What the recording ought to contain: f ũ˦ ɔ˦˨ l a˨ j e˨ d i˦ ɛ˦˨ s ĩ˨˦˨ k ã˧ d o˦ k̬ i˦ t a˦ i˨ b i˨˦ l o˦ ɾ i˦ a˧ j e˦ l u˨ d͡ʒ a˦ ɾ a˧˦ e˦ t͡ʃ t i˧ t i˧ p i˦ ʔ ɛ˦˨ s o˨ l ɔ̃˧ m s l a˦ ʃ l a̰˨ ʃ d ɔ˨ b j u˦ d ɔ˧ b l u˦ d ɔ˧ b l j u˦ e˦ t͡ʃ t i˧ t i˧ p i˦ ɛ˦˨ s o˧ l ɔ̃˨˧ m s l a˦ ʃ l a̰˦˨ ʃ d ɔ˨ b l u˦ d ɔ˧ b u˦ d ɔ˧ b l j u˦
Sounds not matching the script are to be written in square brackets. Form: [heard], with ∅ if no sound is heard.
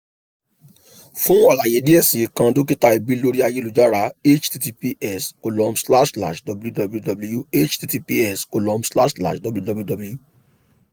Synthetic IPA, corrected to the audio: f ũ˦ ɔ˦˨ l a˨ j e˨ d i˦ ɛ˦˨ s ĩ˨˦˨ k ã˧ d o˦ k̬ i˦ t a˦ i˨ b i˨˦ l o˦ ɾ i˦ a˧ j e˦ l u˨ d͡ʒ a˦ ɾ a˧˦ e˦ t͡ʃ t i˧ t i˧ p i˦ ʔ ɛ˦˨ s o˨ l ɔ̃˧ m s l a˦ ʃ l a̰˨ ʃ d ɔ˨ b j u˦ d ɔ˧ b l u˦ d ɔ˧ b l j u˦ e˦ t͡ʃ t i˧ t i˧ p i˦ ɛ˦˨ s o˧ l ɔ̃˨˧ m s l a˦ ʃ l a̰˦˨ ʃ d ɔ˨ b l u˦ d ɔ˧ b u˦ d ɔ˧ b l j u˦